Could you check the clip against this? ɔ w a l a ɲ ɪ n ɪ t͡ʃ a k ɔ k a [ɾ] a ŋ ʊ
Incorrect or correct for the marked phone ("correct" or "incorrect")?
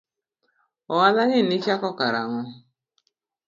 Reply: correct